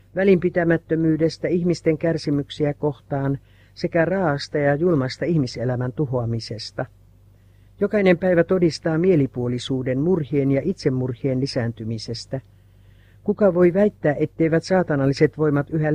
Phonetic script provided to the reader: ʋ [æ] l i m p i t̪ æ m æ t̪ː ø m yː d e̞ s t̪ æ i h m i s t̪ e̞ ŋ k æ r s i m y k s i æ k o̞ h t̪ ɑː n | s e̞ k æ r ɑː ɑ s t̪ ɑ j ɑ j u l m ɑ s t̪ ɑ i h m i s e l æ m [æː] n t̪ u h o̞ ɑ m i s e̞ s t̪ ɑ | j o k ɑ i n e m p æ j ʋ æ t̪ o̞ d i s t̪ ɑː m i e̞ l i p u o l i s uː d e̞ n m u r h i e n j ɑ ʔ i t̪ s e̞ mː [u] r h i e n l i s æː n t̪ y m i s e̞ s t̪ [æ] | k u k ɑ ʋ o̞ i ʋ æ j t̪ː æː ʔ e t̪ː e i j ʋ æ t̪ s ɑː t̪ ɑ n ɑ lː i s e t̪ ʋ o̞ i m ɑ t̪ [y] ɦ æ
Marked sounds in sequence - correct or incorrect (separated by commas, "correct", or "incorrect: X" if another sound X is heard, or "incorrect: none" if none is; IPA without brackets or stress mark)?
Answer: correct, incorrect: æ, correct, correct, correct